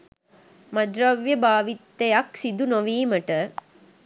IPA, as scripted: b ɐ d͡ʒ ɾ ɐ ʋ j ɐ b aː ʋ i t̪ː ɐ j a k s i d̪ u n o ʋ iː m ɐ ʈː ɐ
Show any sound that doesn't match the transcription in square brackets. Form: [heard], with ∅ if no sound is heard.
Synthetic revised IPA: [m] ɐ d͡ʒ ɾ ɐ ʋ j ɐ b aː ʋ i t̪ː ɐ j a k s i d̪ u n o ʋ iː m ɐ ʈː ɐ